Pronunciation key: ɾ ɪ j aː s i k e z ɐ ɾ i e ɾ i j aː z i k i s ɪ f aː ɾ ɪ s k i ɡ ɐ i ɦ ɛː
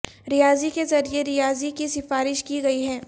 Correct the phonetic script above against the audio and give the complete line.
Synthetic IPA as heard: ɾ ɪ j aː z i k e z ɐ ɾ i e ɾ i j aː z i k i s ɪ f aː ɾ ɪ ʃ k i ɡ ɐ i ɦ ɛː